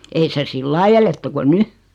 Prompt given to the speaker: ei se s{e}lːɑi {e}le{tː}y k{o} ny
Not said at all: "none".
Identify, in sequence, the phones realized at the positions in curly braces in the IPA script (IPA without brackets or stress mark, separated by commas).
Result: i, e, tː, o